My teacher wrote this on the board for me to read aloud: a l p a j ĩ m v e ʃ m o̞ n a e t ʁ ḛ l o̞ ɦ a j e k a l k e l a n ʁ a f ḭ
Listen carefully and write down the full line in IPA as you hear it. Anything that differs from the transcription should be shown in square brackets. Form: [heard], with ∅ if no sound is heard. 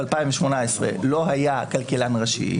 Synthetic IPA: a l p a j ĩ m v e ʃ m o̞ n a e [s] ʁ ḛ l o̞ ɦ a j [a] k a l k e l a n ʁ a [ʃ] ḭ